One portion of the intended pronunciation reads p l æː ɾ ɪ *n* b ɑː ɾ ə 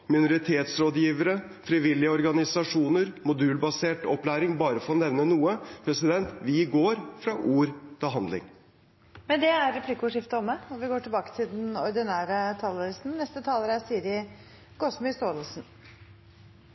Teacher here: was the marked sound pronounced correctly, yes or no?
no